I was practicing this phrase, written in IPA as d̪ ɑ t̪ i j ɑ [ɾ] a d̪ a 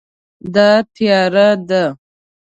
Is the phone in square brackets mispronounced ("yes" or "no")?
no